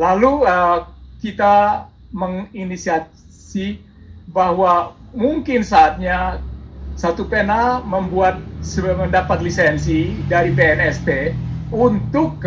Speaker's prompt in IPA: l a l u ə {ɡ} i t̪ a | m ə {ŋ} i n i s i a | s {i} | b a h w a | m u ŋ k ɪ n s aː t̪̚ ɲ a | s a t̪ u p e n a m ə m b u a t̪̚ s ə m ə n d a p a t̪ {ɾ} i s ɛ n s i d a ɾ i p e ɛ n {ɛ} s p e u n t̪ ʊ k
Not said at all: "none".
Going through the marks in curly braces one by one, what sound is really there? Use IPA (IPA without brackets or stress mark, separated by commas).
k, ŋ, i, l, ɛ